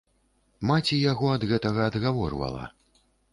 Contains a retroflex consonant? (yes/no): no